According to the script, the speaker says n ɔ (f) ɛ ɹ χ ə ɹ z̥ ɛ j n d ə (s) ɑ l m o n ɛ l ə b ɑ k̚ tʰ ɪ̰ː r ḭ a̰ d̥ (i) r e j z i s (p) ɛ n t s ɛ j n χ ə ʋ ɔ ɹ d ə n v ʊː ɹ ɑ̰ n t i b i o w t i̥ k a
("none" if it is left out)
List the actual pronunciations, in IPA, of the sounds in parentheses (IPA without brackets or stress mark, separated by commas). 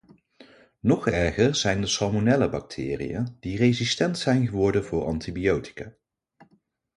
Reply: χ, s, i, t